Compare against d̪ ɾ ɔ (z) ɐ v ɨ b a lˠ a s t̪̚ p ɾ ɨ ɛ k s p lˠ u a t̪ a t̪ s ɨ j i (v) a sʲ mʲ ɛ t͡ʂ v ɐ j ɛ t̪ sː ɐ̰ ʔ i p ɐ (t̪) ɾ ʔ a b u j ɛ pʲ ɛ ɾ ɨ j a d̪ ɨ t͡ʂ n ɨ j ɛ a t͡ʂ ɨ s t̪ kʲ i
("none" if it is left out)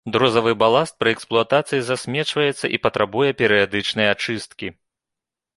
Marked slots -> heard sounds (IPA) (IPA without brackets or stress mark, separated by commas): z, z, t̪